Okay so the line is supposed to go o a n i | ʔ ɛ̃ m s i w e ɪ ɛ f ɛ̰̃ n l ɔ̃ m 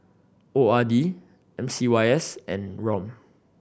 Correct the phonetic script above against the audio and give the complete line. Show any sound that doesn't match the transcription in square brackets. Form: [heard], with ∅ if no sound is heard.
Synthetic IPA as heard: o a [d] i | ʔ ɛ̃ m s i w [a] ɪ ɛ [s] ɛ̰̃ n [ɹ] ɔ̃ m